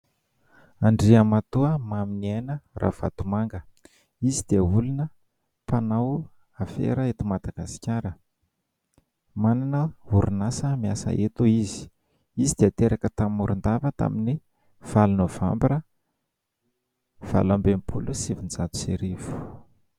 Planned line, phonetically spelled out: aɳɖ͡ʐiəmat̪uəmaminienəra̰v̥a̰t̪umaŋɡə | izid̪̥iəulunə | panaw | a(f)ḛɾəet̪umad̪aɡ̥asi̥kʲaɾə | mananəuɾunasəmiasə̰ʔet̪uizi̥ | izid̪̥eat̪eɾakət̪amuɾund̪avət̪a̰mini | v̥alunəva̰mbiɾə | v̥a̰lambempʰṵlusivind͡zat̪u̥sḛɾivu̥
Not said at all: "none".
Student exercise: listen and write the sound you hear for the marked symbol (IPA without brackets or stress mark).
f